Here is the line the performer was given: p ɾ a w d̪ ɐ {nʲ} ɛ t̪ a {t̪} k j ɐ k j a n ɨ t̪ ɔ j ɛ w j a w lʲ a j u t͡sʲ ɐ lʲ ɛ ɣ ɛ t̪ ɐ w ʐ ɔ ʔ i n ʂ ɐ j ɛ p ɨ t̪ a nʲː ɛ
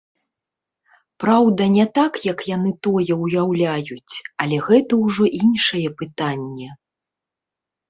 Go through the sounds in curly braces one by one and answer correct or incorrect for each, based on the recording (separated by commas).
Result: correct, incorrect